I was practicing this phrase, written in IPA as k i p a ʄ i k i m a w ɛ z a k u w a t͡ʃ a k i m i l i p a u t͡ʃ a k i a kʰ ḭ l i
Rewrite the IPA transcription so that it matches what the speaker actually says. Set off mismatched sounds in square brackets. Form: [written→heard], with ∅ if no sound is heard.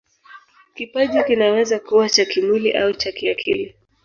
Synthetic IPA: k i p a ʄ i k i [m→n] a w ɛ z a k u w a t͡ʃ a k i m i l i [p→ʔ] a u t͡ʃ a k i a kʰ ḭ l i